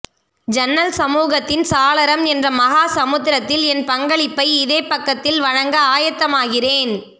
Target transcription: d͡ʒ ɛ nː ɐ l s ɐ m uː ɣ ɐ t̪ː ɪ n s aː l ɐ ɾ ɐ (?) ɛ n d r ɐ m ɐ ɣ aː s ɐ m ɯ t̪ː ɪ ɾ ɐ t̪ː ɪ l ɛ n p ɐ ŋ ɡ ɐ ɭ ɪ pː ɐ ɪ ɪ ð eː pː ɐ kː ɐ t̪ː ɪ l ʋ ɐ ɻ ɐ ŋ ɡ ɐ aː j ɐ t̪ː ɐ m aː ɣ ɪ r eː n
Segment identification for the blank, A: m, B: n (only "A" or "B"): A